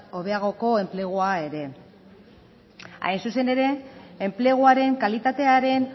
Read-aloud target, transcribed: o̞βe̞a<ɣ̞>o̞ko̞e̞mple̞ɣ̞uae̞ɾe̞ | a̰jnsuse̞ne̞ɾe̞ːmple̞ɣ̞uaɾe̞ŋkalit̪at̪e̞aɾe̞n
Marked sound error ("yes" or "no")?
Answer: no